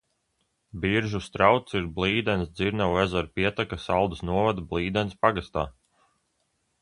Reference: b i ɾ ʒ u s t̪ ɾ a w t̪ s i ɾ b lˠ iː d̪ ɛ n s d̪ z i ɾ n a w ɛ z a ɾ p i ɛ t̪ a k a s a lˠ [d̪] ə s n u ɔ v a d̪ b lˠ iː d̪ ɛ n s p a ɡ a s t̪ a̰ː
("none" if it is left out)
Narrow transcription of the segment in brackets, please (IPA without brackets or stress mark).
d̪